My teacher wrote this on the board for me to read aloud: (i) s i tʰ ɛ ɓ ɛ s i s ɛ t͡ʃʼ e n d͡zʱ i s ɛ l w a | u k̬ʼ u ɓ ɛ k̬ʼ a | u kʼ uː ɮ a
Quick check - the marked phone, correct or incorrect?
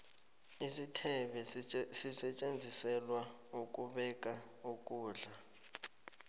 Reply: correct